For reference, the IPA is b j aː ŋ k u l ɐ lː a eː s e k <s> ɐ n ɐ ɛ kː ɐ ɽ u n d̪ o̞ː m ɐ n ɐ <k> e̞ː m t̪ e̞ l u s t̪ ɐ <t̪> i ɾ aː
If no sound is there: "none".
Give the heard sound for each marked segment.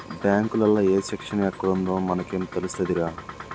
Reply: ʂ, k, d̪

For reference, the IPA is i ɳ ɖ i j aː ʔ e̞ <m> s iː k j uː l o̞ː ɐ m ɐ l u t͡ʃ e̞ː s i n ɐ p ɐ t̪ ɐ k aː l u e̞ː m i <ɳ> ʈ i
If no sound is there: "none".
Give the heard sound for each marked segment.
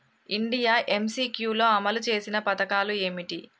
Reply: m, none

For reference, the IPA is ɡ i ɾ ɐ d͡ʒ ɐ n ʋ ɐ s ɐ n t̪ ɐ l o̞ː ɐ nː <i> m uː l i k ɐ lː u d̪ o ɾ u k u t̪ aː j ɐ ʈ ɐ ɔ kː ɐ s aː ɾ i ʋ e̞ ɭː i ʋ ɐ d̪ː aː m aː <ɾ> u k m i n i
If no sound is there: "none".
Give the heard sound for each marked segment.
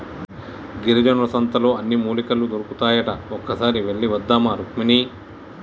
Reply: i, ɾ

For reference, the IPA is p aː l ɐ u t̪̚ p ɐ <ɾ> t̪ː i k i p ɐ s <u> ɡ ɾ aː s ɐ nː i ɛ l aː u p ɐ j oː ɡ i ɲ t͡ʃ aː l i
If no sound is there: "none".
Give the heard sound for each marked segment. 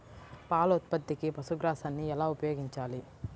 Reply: none, u

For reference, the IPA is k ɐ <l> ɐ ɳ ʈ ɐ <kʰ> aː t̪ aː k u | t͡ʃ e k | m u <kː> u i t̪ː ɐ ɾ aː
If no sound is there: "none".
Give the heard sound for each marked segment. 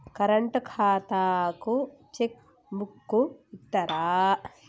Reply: ɾ, kʰ, kː

